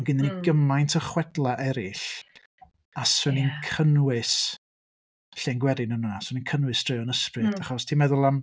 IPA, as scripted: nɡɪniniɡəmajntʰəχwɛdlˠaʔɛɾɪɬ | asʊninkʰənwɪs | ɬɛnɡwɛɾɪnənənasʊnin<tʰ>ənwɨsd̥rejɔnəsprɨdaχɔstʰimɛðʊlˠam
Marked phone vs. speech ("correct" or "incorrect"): incorrect